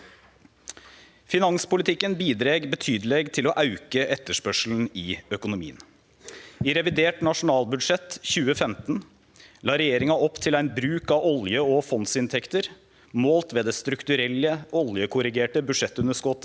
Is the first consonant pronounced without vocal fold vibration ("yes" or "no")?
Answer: yes